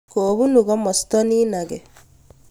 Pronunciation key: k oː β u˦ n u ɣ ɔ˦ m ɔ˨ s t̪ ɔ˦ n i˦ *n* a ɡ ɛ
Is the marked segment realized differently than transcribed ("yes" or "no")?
no